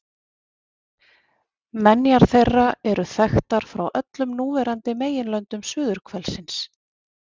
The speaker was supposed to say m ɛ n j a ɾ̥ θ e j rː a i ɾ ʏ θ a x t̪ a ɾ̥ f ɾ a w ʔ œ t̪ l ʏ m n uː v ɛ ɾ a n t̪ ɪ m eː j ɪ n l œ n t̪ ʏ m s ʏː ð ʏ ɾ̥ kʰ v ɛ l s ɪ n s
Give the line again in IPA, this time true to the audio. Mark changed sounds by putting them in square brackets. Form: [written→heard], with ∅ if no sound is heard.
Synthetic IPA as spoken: m ɛ n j a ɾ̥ θ e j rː a [i→ɛ] ɾ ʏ θ [a→ɛ] x t̪ a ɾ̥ f ɾ a w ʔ œ t̪ l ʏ m n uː v ɛ ɾ a n t̪ ɪ m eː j ɪ n l œ n t̪ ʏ m s ʏː ð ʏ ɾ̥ kʰ v ɛ l s ɪ n s